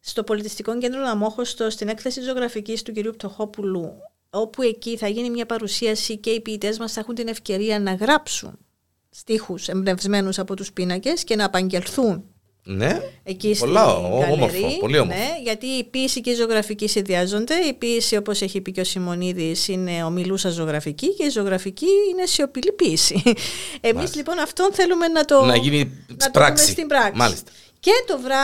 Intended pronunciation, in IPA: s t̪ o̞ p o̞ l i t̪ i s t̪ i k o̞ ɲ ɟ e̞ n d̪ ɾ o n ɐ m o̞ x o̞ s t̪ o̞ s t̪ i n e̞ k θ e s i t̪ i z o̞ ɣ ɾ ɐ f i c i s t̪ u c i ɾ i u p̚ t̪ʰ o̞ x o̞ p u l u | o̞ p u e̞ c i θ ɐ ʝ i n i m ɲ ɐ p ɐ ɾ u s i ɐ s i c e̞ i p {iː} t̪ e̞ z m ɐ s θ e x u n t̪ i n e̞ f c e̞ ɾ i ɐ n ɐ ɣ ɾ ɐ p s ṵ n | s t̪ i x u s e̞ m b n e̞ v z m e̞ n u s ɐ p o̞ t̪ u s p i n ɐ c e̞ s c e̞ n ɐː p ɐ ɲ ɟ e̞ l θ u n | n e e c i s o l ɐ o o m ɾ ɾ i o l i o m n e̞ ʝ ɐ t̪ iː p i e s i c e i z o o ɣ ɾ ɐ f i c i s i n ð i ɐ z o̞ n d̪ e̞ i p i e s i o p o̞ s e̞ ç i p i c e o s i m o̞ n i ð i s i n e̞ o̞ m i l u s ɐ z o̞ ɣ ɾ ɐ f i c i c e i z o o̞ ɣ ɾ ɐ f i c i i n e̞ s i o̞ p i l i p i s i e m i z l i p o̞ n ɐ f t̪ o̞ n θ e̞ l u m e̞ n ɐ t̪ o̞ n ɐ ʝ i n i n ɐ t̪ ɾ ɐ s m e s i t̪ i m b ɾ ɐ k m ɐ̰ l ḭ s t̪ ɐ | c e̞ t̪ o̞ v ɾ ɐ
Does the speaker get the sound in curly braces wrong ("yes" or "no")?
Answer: no